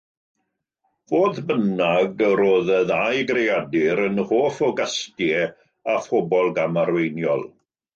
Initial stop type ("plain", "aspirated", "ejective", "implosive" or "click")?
plain